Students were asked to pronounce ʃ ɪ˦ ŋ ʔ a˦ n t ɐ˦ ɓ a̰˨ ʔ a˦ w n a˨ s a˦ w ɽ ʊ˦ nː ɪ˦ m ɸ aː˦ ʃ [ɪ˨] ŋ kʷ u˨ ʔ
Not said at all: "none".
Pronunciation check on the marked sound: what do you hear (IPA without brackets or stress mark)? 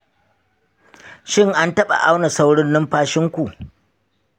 ɪ˦